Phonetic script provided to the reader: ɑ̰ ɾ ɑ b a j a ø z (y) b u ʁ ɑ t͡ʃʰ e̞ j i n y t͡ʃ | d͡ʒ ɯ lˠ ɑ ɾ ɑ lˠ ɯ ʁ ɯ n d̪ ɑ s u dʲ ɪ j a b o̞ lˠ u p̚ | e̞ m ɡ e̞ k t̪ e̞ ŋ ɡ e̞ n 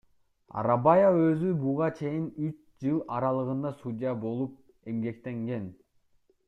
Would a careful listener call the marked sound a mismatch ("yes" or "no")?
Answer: no